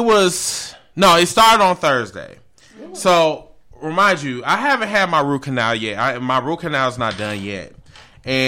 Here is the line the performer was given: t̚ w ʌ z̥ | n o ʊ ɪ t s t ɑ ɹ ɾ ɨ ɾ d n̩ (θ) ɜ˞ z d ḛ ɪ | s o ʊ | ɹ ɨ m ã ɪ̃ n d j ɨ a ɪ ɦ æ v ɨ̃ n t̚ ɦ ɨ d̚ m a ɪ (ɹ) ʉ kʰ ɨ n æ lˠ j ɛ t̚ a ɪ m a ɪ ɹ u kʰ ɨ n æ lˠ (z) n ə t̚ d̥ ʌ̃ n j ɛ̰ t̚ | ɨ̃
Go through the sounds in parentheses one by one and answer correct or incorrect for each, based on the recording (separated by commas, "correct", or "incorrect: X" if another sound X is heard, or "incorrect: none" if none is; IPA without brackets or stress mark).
correct, correct, correct